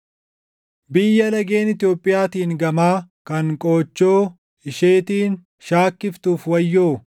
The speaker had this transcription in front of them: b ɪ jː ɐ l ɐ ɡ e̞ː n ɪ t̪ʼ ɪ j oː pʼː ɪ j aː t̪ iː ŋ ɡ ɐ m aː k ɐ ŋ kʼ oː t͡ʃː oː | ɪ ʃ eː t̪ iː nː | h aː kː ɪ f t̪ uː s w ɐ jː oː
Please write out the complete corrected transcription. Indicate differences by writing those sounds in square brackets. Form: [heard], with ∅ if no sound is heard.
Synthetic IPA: b ɪ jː ɐ l ɐ ɡ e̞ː n ɪ [t̪] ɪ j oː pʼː ɪ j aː t̪ iː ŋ ɡ ɐ m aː k ɐ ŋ kʼ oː t͡ʃː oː | ɪ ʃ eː t̪ iː [n] | [ʃ] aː kː ɪ f t̪ uː [f] w ɐ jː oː